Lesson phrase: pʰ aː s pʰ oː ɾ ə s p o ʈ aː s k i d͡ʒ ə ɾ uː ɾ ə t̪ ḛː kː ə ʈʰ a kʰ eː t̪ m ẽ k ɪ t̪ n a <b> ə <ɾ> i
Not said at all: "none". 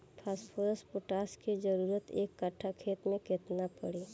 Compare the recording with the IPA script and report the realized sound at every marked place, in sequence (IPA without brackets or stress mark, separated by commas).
p, ɽ